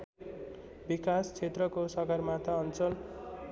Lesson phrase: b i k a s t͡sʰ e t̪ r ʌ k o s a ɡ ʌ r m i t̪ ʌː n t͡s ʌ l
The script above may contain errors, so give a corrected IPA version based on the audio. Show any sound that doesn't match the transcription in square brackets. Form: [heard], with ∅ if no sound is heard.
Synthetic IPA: b i k a s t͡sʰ e t̪ r ʌ k o s [ʌ] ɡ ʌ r m [a] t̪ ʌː n t͡s ʌ l